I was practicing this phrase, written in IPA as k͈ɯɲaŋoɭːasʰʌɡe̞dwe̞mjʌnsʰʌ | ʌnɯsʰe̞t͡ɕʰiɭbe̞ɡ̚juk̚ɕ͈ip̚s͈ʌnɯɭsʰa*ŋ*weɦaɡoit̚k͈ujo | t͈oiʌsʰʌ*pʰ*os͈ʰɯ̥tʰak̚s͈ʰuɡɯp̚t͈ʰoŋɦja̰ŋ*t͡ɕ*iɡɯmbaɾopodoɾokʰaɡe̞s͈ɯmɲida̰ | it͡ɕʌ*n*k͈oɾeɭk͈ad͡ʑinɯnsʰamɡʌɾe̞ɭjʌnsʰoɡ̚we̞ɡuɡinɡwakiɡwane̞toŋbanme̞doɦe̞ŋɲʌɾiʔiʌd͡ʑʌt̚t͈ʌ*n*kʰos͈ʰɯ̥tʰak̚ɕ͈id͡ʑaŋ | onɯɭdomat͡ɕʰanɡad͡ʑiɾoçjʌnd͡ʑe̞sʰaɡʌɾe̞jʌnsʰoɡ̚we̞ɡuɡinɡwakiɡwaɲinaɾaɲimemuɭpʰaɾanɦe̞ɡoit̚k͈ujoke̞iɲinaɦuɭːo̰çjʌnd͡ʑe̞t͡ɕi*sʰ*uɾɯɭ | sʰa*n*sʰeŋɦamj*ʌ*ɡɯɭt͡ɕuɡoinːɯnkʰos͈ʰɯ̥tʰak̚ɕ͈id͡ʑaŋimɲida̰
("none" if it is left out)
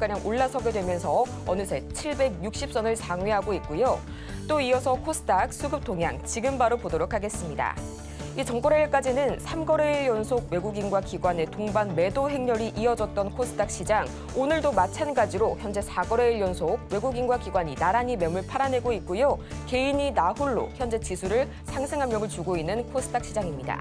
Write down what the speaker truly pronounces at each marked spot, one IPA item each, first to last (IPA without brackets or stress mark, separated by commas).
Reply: ŋ, kʰ, t͡ɕ, ŋ, n, sʰ, ŋ, ʌ